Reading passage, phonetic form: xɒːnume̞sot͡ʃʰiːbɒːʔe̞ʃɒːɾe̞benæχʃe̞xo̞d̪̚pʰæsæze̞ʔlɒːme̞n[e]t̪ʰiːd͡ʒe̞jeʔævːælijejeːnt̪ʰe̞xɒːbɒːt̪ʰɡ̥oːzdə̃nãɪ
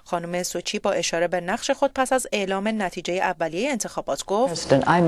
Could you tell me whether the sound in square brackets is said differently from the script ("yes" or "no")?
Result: yes